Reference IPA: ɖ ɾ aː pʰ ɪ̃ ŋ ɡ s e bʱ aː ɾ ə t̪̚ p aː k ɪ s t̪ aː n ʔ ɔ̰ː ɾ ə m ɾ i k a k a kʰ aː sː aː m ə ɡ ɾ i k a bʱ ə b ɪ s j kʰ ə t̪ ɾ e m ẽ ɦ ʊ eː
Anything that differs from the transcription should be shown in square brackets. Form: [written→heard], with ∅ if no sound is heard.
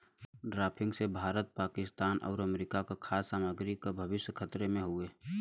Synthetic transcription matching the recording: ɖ ɾ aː pʰ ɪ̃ ŋ ɡ s e bʱ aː ɾ ə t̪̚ p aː k ɪ s t̪ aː n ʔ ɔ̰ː ɾ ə m ɾ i k a k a kʰ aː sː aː m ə ɡ ɾ i k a bʱ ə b ɪ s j kʰ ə t̪ ɾ e m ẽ ɦ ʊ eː

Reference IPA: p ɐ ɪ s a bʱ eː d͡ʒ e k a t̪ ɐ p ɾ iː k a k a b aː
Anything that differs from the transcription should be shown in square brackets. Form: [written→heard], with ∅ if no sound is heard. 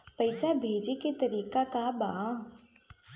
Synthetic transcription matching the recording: p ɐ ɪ s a bʱ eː d͡ʒ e k [a→e] t̪ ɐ [p→∅] ɾ iː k a k a b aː

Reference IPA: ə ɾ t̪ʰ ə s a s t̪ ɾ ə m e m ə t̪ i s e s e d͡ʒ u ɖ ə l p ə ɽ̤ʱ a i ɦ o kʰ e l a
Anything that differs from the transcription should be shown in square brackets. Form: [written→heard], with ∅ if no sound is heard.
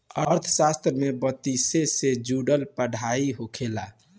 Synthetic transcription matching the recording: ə ɾ t̪ʰ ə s a s t̪ ɾ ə m e [m→b] ə t̪ i s e s e d͡ʒ u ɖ ə l p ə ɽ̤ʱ a i ɦ o kʰ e l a

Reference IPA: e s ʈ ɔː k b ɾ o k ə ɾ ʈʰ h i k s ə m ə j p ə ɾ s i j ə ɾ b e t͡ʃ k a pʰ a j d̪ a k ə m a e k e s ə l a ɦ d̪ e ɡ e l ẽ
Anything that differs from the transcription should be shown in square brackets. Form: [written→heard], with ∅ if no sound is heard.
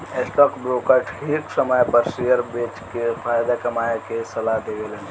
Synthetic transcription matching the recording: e s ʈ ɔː k b ɾ o k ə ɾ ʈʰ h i k s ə m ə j p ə ɾ s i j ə ɾ b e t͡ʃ k [a→e] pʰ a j d̪ a k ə m a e k e s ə l a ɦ d̪ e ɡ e l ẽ

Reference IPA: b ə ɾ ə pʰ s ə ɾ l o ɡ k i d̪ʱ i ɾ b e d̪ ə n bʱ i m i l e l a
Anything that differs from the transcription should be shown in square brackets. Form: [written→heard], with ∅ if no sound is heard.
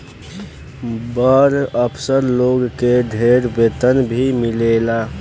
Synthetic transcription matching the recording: b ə ɾ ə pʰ s ə ɾ l o ɡ k [i→e] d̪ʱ [i→e] ɾ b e [d̪→t̪] ə n bʱ i m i l e l a

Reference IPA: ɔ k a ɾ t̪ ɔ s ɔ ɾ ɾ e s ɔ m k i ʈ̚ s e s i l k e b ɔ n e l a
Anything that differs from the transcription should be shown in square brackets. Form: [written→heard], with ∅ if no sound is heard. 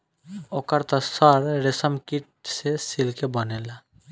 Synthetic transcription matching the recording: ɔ k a ɾ t̪ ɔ s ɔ ɾ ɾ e s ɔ m k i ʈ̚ s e s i l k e b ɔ n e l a

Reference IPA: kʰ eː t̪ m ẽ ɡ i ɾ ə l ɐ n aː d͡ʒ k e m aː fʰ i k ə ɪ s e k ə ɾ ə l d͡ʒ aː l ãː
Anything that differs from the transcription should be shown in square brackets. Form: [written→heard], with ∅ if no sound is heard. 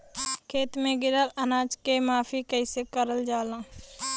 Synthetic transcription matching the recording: kʰ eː t̪ m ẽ ɡ [i→ɪ] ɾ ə l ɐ n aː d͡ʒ k e m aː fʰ i k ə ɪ s e k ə ɾ ə l d͡ʒ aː l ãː

